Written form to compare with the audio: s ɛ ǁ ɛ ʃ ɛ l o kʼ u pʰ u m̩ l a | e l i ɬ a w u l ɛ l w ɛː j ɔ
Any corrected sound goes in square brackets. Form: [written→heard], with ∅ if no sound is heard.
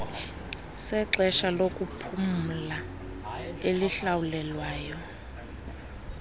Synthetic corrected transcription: s ɛ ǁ ɛ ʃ [ɛ→a] l o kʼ u pʰ u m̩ l a | e l i ɬ a w u l ɛ l w [ɛː→aː] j ɔ